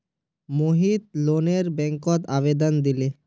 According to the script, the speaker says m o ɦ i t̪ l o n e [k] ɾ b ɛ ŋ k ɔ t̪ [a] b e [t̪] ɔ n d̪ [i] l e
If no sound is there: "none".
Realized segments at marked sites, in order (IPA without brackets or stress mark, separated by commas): none, a, d̪, i